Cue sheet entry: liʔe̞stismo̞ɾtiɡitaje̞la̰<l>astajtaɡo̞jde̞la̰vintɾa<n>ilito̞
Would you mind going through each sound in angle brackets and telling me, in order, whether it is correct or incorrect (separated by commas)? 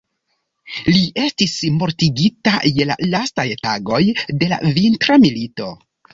correct, incorrect